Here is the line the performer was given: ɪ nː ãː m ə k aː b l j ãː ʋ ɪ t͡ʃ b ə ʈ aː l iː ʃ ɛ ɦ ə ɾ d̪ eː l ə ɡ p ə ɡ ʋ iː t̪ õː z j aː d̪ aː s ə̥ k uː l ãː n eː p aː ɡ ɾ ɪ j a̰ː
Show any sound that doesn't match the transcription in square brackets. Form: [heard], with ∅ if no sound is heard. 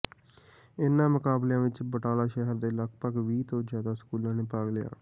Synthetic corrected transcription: ɪ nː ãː m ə k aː b l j ãː ʋ ɪ t͡ʃ b ə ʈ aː l [aː] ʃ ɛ ɦ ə ɾ d̪ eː l ə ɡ p ə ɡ ʋ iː t̪ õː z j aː d̪ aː s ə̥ k uː l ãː n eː p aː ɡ [l] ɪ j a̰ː